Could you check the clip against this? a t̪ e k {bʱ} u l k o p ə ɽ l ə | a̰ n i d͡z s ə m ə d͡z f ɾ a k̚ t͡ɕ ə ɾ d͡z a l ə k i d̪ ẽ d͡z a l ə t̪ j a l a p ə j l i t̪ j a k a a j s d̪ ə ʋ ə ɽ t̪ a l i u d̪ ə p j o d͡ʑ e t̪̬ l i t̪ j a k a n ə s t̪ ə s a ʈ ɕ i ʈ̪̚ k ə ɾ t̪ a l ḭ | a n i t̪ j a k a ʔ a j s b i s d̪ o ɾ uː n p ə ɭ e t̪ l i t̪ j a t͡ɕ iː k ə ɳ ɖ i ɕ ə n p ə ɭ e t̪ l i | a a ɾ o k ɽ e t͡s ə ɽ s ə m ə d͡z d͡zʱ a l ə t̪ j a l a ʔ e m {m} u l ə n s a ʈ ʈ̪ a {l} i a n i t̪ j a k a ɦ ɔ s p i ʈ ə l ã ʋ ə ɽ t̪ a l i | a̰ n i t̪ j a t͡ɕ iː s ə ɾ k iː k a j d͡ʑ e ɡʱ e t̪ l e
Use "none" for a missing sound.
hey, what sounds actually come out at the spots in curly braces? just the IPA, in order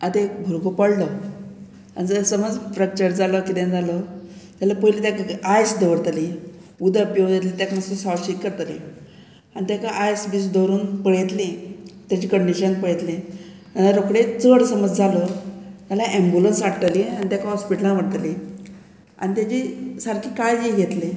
bʱ, b, l

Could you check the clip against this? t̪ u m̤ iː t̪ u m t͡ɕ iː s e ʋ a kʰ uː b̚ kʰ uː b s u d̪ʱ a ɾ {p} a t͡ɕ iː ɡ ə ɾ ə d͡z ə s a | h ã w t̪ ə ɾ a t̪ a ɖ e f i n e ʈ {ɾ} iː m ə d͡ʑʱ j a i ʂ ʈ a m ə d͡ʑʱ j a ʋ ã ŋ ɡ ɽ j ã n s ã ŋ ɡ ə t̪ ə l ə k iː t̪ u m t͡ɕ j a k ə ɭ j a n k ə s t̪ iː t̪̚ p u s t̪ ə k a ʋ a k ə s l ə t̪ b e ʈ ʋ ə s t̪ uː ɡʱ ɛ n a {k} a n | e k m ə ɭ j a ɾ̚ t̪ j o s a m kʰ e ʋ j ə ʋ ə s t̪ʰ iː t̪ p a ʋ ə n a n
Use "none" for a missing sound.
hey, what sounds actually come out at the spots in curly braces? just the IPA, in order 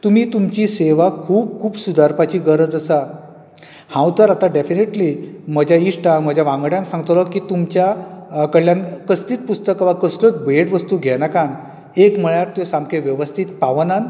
p, l, k

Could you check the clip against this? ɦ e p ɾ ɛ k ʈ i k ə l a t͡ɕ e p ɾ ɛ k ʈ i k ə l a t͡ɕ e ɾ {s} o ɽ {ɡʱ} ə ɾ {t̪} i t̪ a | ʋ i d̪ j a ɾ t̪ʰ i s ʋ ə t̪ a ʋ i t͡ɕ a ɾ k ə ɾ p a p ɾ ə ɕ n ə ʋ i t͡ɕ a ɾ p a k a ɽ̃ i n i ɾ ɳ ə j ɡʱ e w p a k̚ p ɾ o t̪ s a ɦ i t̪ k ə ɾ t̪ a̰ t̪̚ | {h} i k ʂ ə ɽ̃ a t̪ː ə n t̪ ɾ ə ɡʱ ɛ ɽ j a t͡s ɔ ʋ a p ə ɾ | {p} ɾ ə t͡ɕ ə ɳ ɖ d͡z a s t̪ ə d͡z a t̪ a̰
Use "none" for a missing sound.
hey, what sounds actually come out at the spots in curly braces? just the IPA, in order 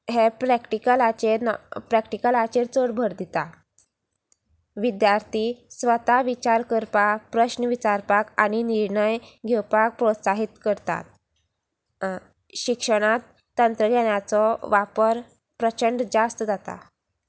t͡s, bʱ, d̪, ɕ, p

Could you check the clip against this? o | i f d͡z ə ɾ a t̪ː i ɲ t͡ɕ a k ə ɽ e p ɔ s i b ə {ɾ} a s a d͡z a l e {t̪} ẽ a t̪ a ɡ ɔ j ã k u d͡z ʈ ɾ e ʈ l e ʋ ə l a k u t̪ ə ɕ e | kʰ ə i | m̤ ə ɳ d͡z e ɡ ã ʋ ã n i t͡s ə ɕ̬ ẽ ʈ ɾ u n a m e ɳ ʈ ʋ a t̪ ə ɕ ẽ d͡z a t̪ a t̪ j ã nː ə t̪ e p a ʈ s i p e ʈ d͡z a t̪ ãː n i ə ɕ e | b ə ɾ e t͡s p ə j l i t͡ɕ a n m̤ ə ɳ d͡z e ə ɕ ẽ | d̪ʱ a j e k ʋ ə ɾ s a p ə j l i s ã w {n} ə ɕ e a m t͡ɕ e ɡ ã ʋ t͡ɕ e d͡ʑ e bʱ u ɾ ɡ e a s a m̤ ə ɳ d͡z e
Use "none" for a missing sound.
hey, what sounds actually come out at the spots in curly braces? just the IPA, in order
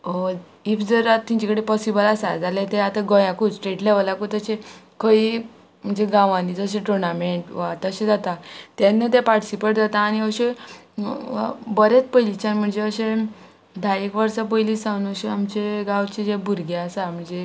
l, t̪, n

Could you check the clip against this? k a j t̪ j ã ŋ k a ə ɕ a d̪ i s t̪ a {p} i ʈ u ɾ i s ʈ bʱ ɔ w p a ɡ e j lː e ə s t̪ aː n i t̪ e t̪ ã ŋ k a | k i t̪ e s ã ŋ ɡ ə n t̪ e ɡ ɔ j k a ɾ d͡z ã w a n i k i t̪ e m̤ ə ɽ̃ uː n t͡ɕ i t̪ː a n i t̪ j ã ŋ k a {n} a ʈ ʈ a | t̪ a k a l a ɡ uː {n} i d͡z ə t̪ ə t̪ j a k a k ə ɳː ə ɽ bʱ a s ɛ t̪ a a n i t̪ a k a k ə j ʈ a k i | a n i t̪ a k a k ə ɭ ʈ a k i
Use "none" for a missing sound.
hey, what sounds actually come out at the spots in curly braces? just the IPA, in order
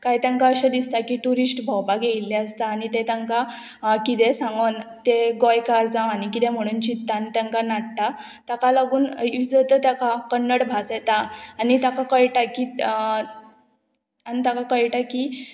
k, n, n

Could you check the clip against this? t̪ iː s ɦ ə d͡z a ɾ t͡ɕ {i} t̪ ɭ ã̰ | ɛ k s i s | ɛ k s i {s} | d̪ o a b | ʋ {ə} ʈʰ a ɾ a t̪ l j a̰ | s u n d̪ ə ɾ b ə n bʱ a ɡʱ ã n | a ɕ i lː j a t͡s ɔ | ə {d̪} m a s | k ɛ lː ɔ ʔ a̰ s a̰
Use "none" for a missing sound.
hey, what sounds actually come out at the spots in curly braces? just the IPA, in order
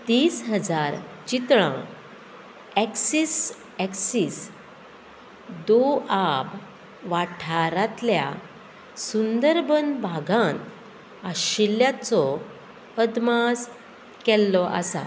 i, s, a, d̪

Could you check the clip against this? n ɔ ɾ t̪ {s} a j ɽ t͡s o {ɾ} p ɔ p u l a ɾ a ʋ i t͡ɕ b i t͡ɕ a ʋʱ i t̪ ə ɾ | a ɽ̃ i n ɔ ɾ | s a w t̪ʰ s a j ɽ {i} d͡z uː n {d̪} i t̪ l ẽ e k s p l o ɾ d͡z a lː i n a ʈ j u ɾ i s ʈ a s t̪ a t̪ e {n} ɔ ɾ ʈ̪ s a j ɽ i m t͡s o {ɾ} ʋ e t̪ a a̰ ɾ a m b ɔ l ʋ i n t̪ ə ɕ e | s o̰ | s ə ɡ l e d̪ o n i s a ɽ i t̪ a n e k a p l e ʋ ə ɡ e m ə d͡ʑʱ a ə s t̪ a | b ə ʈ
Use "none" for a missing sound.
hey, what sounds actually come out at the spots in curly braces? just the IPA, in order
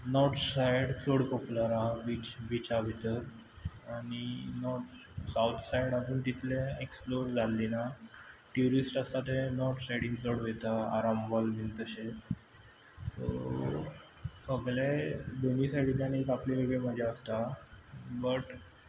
s, ɽ, a, t̪, n, ɽ

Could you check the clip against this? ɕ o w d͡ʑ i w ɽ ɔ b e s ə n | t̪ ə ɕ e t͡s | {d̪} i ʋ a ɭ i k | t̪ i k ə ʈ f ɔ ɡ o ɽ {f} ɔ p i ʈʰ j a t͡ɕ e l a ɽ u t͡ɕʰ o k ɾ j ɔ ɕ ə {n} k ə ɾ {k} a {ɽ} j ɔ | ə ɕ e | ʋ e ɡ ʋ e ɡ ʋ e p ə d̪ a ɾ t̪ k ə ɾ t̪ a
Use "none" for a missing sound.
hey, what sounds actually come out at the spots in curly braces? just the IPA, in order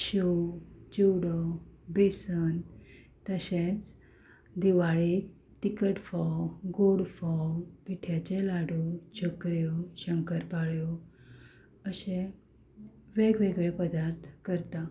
d̪, f, ŋ, p, ɭ

